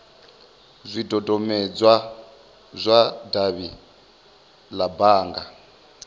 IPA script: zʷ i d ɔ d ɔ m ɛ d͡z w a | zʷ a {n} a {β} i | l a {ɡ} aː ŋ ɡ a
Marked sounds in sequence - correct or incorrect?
incorrect, correct, incorrect

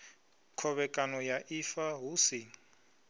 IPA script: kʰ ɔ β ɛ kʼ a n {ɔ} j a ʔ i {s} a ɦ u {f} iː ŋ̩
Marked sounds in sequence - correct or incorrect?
correct, incorrect, incorrect

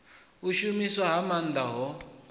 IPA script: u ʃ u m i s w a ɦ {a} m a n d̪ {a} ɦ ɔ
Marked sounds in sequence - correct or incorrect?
correct, correct

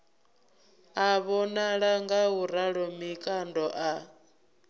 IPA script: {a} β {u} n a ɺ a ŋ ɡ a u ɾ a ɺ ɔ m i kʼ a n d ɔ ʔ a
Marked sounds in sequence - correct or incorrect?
correct, incorrect

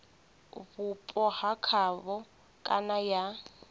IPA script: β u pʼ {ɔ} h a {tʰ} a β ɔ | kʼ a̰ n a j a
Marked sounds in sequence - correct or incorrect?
correct, incorrect

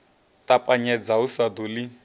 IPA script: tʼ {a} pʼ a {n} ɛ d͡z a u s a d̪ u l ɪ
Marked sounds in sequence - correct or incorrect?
correct, incorrect

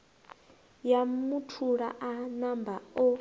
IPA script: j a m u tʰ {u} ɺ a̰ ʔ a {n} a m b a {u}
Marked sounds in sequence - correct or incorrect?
correct, correct, incorrect

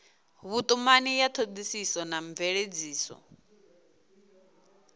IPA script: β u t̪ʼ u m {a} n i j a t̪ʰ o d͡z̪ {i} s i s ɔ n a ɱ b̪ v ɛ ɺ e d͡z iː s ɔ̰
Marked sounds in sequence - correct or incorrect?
correct, correct

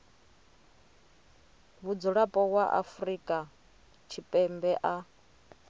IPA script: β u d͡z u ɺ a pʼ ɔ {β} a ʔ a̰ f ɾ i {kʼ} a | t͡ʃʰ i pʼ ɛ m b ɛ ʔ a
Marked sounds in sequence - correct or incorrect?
incorrect, correct

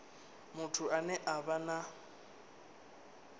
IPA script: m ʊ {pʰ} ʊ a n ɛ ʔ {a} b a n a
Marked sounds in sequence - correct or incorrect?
incorrect, correct

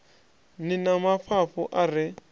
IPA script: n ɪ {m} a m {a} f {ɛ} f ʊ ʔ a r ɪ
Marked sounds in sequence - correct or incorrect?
incorrect, correct, incorrect

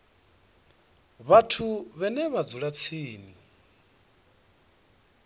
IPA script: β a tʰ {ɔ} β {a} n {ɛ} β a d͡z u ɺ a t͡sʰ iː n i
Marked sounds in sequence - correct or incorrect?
incorrect, incorrect, correct

